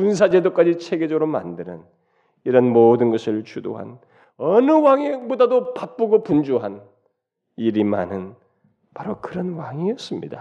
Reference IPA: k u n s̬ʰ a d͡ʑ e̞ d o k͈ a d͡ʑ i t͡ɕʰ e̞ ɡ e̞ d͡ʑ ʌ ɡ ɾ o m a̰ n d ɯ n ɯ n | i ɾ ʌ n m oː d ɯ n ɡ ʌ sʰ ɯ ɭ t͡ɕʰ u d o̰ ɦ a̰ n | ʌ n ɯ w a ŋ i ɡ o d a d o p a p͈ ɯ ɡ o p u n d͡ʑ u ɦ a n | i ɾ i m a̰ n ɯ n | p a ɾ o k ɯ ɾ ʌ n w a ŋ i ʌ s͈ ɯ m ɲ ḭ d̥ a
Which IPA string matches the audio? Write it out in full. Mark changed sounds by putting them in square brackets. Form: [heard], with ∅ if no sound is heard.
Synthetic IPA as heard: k u n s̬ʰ a d͡ʑ e̞ d o k͈ a d͡ʑ i t͡ɕʰ e̞ ɡ e̞ d͡ʑ ʌ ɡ ɾ o m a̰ n d ɯ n ɯ n | i ɾ ʌ n m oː d ɯ n ɡ ʌ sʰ ɯ ɭ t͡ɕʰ u d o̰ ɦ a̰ n | ʌ n ɯ w a ŋ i [b] o d a d o p a p͈ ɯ ɡ o p u n d͡ʑ u ɦ a n | i ɾ i m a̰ n ɯ n | p a ɾ o k ɯ ɾ ʌ n w a ŋ i ʌ s͈ ɯ m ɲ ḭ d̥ a